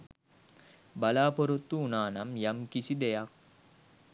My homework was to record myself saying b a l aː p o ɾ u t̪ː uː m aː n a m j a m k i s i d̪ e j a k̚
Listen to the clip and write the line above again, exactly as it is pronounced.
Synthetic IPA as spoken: b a l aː p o ɾ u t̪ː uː n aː n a m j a m k i s i d̪ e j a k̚

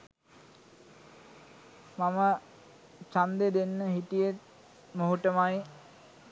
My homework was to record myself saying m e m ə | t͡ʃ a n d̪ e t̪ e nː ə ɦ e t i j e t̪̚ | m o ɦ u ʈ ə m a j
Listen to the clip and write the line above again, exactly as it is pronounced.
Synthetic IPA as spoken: m a m ə | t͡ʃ a n d̪ e d̪ e nː ə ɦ i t i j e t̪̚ | m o ɦ u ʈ ə m a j

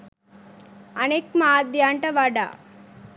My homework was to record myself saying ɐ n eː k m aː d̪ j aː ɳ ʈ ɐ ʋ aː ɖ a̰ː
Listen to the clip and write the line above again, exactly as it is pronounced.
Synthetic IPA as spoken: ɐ n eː k m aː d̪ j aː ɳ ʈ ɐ ʋ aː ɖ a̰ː

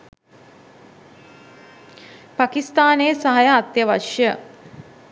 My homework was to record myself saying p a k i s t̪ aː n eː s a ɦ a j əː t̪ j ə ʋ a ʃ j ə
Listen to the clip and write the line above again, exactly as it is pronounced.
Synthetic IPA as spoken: p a k i s t̪ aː n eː s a ɦ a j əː t̪ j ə ʋ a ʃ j ə

